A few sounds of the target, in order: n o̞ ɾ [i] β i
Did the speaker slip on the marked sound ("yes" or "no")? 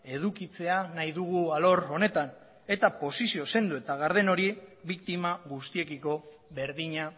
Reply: no